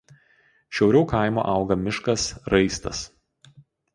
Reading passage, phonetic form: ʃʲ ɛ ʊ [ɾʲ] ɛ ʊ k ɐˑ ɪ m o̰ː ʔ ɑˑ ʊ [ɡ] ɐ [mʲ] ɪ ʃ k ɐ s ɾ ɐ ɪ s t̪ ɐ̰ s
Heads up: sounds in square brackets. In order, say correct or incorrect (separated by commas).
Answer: correct, correct, correct